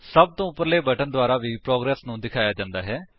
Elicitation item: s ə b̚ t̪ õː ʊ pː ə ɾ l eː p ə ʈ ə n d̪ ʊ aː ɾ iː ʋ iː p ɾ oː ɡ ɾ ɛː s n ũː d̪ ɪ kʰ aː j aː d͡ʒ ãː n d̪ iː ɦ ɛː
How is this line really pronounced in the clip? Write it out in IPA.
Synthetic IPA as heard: s ə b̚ t̪ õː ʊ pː ə ɾ l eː b ə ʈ ə n d̪ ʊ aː ɾ aː ʋ iː p ɾ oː ɡ ɾ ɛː s n ũː d̪ ɪ kʰ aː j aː d͡ʒ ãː n d̪ aː ɦ ɛː